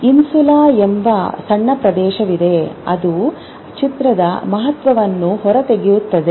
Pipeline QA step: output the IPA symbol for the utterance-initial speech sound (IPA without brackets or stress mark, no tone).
i